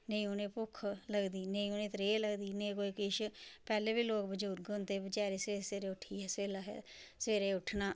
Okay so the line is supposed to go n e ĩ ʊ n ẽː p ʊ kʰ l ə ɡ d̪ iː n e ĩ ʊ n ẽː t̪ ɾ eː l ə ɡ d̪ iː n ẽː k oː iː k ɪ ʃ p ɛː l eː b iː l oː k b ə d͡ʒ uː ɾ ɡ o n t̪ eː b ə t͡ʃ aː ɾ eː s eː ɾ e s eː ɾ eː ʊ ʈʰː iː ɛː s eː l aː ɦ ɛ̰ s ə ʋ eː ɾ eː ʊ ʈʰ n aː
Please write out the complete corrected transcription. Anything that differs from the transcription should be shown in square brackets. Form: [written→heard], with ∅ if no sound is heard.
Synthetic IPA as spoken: n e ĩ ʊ n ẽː p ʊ kʰ l ə ɡ d̪ iː n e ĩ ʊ n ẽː t̪ ɾ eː l ə ɡ d̪ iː n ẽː k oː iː k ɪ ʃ p ɛː l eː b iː l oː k b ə d͡ʒ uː ɾ ɡ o n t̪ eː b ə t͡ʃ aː ɾ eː s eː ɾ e s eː ɾ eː ʊ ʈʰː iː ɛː s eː l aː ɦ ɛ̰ s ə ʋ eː ɾ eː ʊ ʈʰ n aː